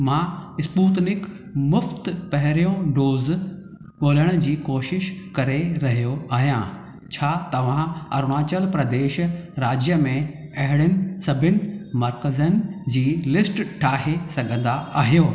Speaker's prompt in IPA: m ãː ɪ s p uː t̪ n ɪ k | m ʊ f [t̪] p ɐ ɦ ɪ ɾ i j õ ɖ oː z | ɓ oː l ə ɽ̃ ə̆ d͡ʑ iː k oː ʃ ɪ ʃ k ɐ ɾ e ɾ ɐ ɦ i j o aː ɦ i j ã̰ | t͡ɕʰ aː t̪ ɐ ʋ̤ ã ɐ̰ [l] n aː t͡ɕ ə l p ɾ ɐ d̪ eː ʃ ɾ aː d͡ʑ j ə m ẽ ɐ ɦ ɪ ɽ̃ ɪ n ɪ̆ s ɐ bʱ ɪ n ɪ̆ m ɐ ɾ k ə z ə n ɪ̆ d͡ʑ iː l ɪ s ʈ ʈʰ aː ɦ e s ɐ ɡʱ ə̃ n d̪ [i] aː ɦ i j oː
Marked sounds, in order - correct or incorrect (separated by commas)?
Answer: correct, incorrect, incorrect